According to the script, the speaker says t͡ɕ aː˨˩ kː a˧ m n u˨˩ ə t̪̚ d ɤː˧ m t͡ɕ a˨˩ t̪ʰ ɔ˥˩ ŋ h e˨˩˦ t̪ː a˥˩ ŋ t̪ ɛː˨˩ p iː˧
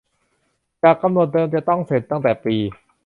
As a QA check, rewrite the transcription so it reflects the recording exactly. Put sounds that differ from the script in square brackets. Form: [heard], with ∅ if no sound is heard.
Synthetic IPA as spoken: t͡ɕ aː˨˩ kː a˧ m n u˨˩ ə t̪̚ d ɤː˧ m t͡ɕ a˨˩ [t̪] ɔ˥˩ ŋ [s] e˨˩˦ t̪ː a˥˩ ŋ t̪ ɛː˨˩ p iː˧